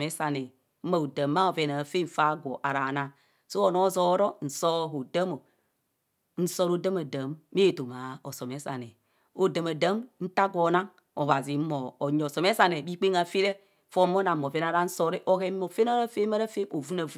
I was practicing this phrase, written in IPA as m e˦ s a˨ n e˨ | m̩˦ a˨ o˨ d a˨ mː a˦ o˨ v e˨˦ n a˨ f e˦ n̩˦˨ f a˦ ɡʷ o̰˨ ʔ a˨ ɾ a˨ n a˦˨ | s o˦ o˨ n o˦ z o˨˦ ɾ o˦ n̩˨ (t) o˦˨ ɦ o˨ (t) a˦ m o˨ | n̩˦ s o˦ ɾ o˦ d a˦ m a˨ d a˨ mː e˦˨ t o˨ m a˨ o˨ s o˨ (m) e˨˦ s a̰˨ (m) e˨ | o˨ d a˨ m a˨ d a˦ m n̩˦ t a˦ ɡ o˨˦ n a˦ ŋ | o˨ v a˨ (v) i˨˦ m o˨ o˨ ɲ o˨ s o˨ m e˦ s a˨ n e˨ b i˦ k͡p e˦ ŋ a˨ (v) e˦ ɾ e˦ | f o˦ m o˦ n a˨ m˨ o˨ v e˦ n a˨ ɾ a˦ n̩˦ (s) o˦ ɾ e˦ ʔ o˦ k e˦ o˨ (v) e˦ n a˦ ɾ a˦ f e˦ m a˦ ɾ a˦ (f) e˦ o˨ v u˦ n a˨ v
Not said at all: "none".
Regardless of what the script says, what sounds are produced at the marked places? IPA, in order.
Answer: s, d, m, n, z, f, s, f, f

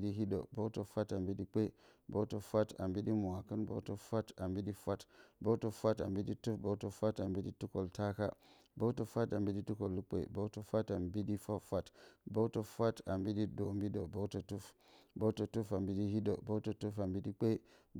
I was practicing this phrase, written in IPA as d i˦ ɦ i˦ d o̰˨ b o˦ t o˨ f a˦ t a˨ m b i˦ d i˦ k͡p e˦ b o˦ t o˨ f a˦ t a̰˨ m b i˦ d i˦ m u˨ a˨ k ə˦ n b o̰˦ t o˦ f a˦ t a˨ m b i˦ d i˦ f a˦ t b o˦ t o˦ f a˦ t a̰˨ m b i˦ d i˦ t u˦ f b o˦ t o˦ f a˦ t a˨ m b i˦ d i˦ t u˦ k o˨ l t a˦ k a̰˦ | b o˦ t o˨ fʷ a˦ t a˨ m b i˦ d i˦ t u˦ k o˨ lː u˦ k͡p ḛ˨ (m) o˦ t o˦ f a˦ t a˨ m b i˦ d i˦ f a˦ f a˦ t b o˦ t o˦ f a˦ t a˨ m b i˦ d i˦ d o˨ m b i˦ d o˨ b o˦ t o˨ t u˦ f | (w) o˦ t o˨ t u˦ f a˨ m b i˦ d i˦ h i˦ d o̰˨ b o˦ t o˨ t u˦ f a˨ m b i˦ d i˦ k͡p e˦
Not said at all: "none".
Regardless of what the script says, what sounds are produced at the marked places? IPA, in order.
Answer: b, b

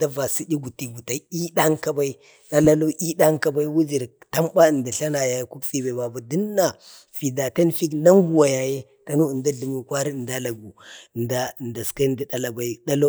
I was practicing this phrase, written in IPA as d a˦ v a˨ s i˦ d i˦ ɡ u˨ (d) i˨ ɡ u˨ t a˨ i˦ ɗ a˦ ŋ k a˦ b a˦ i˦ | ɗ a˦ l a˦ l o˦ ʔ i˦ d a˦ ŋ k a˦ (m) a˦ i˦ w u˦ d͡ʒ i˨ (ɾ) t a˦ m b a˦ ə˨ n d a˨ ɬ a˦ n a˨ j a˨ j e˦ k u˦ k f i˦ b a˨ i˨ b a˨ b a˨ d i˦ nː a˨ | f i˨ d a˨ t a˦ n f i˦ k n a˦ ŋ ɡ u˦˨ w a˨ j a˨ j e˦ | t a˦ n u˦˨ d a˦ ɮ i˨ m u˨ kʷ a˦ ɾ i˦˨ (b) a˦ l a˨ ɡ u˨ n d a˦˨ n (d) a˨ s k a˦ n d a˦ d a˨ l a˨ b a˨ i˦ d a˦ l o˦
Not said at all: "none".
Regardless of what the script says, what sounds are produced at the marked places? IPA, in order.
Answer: t, b, ɾ, d, d

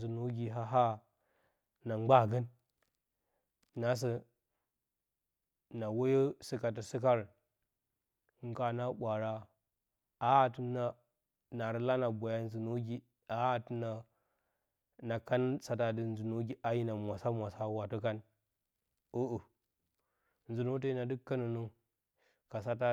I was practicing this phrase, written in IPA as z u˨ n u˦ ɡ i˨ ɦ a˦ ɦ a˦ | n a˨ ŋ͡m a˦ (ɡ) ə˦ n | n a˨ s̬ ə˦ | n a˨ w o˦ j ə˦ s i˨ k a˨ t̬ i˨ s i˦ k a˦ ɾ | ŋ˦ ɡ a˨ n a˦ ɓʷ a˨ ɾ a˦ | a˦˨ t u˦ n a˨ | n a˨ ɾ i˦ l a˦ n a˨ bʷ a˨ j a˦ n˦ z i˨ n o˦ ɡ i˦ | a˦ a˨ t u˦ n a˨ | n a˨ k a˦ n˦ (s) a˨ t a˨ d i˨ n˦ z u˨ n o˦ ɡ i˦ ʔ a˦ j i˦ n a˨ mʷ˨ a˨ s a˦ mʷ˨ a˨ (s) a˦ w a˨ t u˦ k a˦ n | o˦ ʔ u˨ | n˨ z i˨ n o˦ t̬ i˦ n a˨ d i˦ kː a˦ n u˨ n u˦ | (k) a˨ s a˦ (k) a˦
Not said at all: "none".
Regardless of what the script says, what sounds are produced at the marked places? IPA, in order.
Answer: ɡ, s, s, k, t

